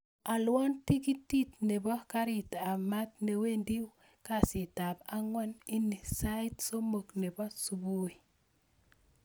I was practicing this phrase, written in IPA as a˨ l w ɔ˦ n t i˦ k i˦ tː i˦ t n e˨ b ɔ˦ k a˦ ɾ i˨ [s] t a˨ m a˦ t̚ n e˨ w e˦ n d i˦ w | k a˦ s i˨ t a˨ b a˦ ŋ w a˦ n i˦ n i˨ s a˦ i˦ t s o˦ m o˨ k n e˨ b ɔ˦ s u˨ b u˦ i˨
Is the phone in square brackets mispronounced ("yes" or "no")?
yes